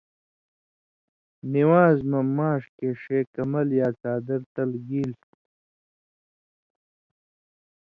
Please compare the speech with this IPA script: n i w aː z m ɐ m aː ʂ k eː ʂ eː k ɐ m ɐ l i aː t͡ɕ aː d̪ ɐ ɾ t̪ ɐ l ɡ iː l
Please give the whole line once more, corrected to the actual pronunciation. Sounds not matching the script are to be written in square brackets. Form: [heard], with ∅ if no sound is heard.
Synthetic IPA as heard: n i w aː z m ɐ m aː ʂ k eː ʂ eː k ɐ m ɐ l [j] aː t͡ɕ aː d̪ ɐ ɾ t̪ ɐ l ɡ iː l